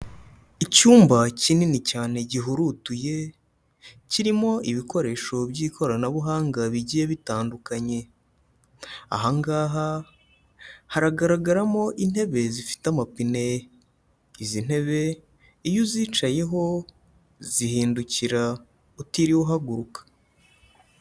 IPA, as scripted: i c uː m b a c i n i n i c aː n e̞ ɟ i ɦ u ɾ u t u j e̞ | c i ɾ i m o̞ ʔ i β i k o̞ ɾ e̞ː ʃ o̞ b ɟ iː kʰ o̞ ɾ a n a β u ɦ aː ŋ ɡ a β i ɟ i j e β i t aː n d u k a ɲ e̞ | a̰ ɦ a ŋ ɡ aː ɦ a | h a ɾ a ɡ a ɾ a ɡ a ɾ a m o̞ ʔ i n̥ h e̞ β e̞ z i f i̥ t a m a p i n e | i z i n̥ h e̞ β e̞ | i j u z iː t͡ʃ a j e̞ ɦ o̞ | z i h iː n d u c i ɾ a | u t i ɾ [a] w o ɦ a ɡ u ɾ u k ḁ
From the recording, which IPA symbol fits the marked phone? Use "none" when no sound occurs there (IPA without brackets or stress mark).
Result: i